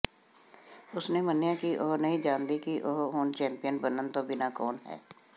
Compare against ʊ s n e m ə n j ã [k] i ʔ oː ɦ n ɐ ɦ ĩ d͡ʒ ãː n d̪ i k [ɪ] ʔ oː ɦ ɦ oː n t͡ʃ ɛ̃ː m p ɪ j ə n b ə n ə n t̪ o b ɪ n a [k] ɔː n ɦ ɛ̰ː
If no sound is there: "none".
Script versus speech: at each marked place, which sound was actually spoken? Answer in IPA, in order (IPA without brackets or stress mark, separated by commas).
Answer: k, i, k